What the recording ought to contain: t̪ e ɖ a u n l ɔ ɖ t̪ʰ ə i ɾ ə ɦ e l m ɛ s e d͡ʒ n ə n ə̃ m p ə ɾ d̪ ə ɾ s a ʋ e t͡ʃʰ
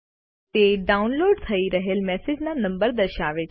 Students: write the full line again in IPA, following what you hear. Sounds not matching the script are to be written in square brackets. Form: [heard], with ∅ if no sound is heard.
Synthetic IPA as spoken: t̪ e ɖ a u n l [o] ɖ t̪ʰ ə i ɾ ə ɦ e l m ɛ s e d͡ʒ n [a] n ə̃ m [b] ə ɾ d̪ ə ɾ [ʃ] a ʋ e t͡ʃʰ